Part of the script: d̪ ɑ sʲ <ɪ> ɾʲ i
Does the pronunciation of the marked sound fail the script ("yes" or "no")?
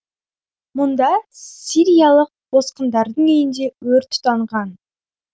yes